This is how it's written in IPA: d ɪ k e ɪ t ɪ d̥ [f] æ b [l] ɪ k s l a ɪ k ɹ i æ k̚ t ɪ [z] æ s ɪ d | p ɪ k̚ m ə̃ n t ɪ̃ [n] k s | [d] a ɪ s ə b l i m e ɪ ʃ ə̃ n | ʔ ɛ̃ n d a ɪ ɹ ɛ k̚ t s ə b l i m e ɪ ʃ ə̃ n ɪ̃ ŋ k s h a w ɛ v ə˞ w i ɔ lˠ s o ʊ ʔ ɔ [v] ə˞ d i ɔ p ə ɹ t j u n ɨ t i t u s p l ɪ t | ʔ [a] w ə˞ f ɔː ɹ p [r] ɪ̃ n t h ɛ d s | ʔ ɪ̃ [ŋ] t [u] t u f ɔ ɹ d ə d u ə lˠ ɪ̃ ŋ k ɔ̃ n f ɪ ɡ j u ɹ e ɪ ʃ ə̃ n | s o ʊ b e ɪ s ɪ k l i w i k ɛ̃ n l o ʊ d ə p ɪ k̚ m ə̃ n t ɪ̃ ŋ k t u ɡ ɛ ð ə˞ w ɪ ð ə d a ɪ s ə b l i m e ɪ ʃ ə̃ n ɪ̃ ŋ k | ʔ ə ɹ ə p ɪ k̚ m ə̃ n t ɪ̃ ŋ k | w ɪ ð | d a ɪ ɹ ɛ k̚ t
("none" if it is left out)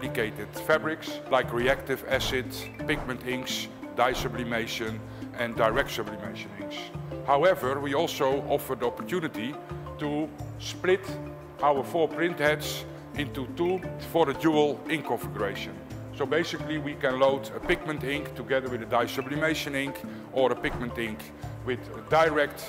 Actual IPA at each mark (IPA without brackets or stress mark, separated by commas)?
f, ɹ, v, ŋ, d, f, a, ɹ, n, u